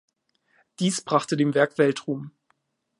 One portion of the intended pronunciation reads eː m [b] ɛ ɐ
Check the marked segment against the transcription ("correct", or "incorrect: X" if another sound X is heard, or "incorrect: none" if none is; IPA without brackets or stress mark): incorrect: v